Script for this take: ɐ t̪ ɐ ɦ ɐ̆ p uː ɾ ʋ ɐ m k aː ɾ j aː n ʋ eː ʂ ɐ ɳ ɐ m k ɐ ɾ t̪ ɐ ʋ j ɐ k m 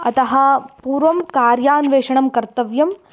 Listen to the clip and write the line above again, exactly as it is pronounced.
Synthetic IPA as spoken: ɐ t̪ ɐ ɦ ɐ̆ p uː ɾ ʋ ɐ m k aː ɾ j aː n ʋ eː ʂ ɐ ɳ ɐ m k ɐ ɾ t̪ ɐ ʋ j ɐ m